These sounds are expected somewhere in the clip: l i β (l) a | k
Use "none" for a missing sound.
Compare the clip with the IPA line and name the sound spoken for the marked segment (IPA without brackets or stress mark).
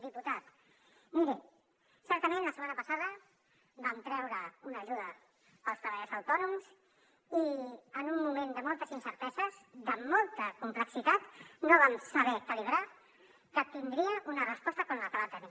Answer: ɾ